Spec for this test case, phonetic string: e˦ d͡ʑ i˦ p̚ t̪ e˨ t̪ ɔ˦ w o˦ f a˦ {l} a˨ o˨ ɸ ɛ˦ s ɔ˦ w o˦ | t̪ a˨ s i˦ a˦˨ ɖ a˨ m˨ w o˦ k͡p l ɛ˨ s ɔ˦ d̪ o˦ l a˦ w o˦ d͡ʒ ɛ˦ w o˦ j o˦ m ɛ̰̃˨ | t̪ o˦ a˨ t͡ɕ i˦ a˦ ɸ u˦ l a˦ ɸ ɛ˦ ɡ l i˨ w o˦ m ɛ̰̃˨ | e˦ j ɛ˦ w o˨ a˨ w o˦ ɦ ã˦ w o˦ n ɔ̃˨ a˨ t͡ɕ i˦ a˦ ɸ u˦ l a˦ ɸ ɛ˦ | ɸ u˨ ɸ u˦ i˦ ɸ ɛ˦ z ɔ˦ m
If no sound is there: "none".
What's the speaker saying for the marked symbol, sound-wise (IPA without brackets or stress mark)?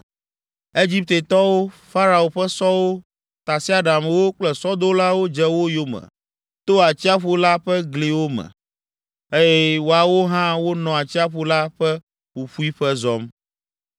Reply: ɾ